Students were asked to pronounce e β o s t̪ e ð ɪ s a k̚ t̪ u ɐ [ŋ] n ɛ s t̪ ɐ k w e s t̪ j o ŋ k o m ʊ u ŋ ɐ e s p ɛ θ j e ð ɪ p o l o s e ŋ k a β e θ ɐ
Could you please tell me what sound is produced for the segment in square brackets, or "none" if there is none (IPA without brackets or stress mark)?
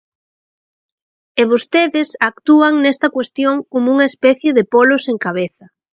ŋ